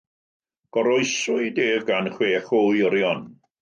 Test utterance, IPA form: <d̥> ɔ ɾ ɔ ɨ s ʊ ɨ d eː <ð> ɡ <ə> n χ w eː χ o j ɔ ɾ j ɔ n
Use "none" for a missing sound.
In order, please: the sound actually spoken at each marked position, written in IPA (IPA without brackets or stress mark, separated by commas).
ɡ̥, v, a